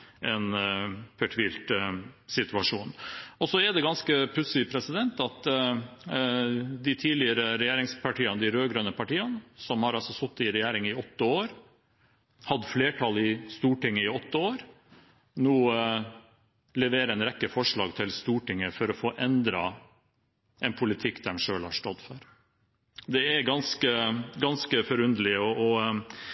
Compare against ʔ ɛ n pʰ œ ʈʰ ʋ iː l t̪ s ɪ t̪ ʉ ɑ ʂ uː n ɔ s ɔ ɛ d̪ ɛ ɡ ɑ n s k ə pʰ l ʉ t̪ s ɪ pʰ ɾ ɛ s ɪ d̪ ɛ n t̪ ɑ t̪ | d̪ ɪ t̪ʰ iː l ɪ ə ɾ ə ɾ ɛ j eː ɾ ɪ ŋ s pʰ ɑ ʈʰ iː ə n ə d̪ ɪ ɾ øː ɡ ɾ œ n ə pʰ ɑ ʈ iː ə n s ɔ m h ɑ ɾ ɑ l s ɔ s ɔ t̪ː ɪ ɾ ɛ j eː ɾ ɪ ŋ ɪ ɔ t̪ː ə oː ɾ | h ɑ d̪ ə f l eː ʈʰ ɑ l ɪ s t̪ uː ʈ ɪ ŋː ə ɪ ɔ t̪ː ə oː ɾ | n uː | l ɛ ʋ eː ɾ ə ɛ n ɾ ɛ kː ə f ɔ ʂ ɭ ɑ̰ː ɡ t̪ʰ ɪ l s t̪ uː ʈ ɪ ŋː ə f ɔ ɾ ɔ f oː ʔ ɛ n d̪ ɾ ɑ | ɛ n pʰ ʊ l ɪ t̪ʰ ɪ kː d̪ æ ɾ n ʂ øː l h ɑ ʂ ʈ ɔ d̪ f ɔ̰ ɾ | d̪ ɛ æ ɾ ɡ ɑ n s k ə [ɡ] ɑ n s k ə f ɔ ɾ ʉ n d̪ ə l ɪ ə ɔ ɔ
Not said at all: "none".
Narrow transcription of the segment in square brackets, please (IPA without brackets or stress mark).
ɡ